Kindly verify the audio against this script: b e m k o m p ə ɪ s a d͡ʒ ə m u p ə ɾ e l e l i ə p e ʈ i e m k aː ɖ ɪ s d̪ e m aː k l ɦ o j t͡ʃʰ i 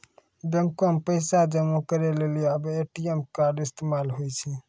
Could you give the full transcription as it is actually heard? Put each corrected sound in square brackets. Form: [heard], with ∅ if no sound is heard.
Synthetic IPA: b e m k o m p ə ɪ s a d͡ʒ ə m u [k] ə ɾ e l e l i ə [b] e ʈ i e m k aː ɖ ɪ s [t̪] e m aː [∅] l ɦ o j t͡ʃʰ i